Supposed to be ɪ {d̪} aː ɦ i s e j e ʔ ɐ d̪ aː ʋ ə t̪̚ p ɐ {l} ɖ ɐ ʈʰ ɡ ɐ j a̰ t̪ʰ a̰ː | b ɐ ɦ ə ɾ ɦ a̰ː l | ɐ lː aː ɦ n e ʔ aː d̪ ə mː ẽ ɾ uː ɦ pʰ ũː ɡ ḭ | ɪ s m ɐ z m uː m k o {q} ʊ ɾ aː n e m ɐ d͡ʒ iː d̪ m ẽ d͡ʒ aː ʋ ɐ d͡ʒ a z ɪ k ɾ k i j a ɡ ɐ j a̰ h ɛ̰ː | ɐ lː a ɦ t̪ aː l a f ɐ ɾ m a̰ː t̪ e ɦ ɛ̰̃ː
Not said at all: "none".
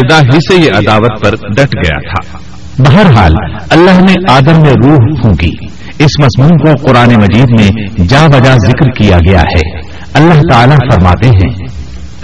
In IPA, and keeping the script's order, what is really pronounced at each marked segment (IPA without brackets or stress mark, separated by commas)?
d̪, ɾ, q